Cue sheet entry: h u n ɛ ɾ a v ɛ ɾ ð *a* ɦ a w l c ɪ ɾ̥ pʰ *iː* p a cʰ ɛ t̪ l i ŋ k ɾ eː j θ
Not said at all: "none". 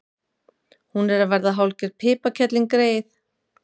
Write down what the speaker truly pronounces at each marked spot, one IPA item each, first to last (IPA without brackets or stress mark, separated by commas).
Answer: a, ɪː